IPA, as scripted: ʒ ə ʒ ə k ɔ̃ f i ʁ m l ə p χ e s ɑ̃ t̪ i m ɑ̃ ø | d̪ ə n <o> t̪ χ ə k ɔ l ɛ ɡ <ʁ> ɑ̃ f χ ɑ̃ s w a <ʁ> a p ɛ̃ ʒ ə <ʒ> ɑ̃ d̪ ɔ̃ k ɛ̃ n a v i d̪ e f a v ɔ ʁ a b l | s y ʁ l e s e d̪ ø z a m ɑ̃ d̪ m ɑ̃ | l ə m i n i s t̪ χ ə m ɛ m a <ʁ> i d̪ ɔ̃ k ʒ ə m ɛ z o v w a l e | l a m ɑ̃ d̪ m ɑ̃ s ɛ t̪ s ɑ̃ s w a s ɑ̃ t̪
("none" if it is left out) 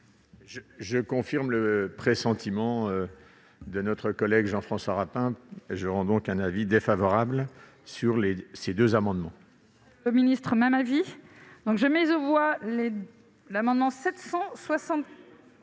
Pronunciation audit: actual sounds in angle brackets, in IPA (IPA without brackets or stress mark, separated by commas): ɔ, ʒ, ʁ, ʁ, v